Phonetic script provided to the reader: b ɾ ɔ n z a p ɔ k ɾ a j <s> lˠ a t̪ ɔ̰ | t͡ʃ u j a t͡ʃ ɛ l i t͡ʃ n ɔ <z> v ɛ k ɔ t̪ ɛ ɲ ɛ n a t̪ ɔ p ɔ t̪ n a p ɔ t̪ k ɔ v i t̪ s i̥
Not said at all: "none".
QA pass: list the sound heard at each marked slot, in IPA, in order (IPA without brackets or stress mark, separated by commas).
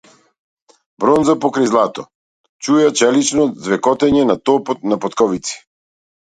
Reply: z, z